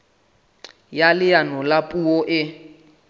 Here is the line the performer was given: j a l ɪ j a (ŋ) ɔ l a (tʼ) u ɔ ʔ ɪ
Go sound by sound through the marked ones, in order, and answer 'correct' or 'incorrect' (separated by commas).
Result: incorrect, incorrect